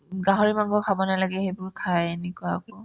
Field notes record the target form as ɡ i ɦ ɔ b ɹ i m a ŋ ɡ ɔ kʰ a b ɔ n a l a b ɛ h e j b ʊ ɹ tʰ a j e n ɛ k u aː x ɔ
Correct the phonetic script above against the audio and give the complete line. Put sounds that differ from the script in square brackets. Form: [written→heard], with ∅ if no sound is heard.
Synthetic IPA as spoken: ɡ [i→a] ɦ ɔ [b→∅] ɹ i m a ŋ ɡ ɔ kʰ a b ɔ n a l a [b→ɡ] ɛ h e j b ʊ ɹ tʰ a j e n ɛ k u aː [x→k] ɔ